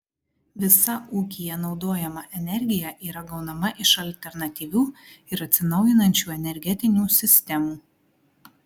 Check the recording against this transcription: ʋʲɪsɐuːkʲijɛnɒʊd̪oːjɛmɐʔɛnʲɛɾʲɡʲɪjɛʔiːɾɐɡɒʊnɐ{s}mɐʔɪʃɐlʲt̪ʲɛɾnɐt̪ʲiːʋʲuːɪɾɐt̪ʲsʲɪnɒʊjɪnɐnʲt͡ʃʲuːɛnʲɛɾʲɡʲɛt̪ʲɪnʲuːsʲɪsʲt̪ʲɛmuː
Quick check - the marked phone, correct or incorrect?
incorrect